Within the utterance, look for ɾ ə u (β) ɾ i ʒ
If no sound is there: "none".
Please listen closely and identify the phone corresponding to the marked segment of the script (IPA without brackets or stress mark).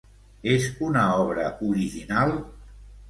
none